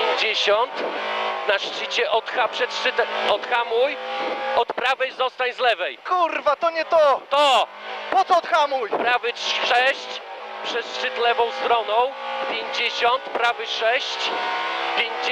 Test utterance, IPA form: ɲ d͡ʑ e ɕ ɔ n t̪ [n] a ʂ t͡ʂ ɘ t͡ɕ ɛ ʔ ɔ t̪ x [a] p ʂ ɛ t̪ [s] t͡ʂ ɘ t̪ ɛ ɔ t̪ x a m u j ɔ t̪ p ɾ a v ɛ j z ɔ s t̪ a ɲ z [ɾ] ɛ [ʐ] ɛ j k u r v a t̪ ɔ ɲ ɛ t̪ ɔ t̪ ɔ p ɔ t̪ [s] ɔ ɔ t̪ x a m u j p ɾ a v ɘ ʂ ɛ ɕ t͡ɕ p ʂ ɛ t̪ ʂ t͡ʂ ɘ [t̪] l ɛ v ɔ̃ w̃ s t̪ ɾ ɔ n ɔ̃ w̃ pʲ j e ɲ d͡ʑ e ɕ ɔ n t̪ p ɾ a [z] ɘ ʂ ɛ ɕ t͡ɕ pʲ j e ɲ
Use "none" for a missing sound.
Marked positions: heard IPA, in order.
n, a, ʂ, l, v, s, t̪, v

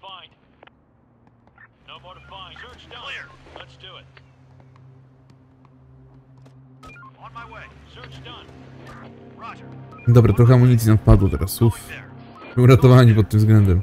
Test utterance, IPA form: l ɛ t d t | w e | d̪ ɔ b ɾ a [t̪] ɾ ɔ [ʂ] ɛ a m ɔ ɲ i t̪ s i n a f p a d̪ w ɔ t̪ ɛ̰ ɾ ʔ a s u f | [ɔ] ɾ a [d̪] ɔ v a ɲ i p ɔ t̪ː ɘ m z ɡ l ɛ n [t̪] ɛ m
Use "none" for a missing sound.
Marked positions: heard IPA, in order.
t̪, x, u, t̪, d̪

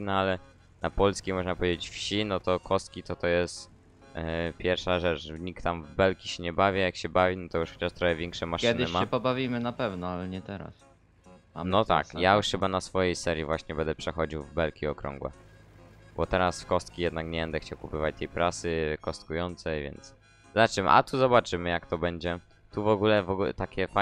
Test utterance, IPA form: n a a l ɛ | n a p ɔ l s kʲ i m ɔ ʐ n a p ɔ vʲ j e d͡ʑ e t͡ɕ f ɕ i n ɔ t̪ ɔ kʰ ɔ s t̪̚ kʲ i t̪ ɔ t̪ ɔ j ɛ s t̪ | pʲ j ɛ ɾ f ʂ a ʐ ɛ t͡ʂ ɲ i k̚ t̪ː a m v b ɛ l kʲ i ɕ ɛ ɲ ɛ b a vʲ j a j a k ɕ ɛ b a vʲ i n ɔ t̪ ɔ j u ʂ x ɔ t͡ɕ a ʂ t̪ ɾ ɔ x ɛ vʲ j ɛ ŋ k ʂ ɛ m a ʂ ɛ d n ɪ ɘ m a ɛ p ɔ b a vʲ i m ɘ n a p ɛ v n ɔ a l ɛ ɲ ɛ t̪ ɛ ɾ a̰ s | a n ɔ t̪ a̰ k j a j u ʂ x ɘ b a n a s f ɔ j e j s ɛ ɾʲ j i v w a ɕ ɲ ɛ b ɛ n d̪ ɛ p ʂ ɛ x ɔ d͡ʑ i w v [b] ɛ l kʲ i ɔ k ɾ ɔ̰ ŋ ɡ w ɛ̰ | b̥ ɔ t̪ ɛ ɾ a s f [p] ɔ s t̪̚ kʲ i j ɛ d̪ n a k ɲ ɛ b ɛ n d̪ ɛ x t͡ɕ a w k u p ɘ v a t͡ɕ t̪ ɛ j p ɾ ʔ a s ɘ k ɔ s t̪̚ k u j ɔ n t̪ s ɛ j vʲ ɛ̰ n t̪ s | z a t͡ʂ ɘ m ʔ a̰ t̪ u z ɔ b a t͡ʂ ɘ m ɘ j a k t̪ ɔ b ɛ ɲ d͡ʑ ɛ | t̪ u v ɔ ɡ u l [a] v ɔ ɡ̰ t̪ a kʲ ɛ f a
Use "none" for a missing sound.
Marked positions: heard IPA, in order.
b, k, ɛ

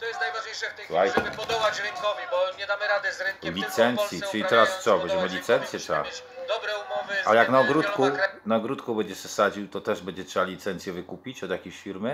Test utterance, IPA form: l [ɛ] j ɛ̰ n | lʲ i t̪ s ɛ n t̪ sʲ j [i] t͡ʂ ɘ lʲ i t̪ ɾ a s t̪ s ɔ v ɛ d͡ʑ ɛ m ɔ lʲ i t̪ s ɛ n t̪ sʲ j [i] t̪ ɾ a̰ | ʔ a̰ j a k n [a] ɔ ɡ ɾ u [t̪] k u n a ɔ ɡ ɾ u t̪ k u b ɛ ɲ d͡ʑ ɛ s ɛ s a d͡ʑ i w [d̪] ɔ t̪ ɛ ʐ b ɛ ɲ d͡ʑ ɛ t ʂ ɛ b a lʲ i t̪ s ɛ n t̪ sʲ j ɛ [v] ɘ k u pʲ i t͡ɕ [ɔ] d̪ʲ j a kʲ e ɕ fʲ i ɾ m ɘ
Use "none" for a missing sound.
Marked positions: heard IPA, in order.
a, i, ɛ, a, t̪, t̪, v, ɔ

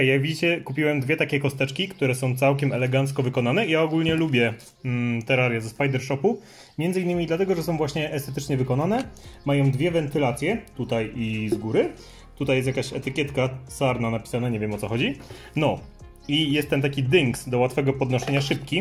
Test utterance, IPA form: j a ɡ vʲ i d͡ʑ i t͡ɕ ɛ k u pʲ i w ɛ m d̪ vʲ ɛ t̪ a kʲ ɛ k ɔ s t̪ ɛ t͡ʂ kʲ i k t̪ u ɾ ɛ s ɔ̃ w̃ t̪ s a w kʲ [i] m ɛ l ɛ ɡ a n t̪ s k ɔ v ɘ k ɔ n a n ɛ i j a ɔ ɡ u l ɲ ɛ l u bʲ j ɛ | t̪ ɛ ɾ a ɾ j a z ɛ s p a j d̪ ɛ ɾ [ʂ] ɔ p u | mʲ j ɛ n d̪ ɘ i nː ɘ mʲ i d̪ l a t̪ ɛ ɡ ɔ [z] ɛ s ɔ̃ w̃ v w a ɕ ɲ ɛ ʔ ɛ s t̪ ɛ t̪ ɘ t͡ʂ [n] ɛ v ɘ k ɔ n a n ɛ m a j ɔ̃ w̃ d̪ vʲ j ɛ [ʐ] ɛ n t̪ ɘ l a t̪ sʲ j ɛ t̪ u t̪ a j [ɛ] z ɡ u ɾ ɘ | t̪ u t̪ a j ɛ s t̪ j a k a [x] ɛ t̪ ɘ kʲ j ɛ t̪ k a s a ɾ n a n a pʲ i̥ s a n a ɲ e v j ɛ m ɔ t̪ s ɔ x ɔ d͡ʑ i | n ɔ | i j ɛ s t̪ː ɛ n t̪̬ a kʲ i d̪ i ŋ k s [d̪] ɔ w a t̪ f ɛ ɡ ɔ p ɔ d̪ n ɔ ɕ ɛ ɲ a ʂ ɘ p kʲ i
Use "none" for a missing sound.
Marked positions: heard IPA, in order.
ɛ, ʂ, ʐ, ɲ, v, i, ɕ, d̪

